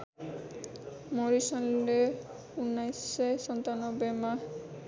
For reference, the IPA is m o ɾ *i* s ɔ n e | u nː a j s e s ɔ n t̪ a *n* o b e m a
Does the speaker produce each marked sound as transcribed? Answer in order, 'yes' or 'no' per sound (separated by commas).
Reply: yes, yes